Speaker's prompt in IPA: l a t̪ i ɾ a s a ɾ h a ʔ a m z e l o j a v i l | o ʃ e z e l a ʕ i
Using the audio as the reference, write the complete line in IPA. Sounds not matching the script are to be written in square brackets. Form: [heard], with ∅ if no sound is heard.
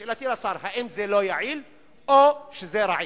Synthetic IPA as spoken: l a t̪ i [l] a s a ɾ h a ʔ [i] m z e l o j a [ʕ] i l | o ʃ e z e [ɾ] a ʕ i